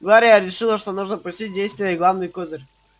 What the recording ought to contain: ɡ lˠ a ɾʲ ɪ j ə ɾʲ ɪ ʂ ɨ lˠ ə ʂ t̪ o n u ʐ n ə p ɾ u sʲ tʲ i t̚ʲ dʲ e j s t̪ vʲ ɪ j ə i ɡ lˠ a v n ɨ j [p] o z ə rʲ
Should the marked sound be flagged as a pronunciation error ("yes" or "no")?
yes